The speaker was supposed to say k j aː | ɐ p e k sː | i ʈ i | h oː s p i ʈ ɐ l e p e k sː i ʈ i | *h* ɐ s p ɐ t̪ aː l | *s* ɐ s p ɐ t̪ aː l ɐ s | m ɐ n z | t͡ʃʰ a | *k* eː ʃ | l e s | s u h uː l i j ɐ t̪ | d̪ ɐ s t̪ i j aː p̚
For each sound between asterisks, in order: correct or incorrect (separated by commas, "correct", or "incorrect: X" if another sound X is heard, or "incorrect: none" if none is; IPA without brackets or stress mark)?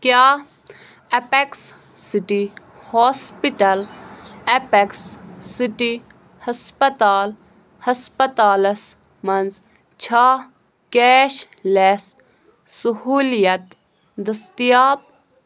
correct, incorrect: h, correct